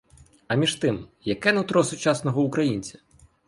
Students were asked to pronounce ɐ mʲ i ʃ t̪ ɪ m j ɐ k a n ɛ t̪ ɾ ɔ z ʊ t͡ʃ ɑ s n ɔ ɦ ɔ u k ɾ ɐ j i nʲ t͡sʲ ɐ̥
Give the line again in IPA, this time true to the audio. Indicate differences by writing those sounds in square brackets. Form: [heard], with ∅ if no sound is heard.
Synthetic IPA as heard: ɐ mʲ i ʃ t̪ ɪ m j ɐ k [ɛ] n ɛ t̪ ɾ ɔ [s] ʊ t͡ʃ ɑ s n ɔ ɦ ɔ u k ɾ ɐ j i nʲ t͡sʲ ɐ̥

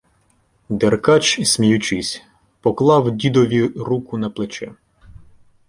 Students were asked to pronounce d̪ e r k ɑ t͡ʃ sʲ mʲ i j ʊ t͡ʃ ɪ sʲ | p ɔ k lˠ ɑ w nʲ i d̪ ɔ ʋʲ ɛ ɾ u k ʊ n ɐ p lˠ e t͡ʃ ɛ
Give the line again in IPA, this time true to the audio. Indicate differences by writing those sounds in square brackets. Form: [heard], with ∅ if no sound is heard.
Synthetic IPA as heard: d̪ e r k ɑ t͡ʃ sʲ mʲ i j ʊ t͡ʃ ɪ sʲ | p ɔ k lˠ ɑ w [dʲ] i d̪ ɔ ʋʲ [i] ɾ u k ʊ n ɐ p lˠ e t͡ʃ ɛ

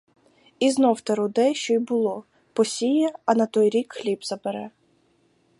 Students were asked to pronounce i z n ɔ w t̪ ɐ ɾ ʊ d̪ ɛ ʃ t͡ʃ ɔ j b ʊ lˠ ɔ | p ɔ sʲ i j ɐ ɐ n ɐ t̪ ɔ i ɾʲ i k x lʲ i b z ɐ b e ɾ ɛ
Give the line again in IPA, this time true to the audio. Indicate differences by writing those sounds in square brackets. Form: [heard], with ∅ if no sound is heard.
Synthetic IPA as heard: i z n ɔ w t̪ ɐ ɾ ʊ d̪ ɛ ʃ t͡ʃ ɔ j b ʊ lˠ ɔ | p ɔ sʲ i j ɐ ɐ n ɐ t̪ ɔ [j] ɾʲ i k x lʲ i b z ɐ b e ɾ ɛ

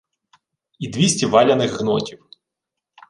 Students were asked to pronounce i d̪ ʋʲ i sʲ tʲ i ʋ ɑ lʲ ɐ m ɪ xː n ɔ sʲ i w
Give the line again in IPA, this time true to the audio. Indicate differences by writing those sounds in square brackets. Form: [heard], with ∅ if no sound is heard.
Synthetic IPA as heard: i d̪ ʋʲ i sʲ tʲ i ʋ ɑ lʲ ɐ [n] ɪ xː n ɔ [tʲ] i w

